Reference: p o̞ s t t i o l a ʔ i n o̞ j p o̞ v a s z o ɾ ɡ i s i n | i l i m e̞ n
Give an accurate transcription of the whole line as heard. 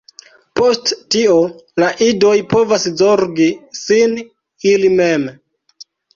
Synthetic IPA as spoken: p o̞ s t t i o l a ʔ i d o̞ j p o̞ v a s z o ɾ ɡ i s i n | i l i m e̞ m